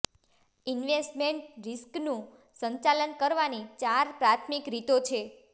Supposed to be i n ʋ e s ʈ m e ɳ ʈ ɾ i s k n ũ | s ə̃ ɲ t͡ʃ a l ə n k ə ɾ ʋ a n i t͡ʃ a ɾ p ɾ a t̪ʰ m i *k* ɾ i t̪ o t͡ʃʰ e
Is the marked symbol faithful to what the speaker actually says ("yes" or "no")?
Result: yes